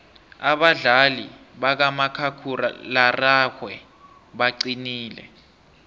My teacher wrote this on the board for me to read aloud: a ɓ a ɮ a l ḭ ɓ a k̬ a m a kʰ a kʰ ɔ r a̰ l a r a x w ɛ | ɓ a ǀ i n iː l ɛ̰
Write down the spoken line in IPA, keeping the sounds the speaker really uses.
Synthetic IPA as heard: a ɓ a ɮ a l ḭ ɓ a k̬ a m a kʰ a kʰ u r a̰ l a r a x w ɛ | ɓ a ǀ i n iː l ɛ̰